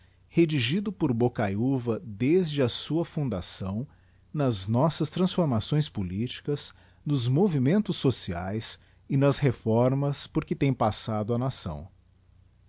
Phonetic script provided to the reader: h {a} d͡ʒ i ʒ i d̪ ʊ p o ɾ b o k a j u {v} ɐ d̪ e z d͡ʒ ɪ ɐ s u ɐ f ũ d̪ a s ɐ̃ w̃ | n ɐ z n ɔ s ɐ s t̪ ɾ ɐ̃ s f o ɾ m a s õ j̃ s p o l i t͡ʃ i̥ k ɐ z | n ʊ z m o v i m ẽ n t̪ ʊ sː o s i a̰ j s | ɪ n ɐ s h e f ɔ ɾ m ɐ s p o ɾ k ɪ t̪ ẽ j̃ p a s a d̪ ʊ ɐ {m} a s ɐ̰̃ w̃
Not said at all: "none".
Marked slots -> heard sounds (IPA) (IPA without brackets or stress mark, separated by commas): e, v, n